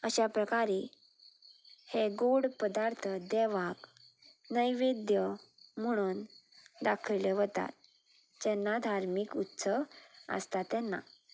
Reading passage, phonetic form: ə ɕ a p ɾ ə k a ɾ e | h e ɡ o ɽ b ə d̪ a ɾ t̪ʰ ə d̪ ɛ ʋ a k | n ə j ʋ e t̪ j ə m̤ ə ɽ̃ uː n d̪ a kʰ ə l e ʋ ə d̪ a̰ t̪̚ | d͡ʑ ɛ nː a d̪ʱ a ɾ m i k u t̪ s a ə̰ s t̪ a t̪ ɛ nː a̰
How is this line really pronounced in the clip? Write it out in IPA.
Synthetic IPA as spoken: ə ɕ a p ɾ ə k a ɾ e | h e ɡ o ɽ p ə d̪ a ɾ t̪ʰ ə d̪ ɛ ʋ a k | n ə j ʋ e d̪ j ə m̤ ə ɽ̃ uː n d̪ a kʰ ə l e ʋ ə t̪ a̰ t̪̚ | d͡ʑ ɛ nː a d̪ʱ a ɾ m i k u t̪ s ə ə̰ s t̪ a t̪ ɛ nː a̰